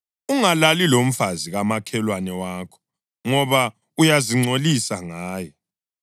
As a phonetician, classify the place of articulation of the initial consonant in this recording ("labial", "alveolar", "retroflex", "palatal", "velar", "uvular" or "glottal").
velar